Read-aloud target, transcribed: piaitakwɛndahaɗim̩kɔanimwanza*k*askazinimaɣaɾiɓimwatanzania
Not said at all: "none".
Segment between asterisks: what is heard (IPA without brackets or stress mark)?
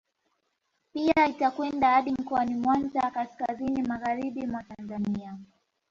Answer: k